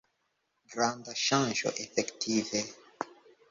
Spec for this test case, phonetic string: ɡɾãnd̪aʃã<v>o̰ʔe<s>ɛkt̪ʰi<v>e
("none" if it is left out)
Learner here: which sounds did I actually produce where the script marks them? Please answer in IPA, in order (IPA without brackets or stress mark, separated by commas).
ʒ, f, v